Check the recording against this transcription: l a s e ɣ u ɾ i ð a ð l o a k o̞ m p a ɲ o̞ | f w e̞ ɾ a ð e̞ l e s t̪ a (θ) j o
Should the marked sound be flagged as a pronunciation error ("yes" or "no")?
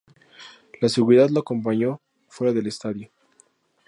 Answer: yes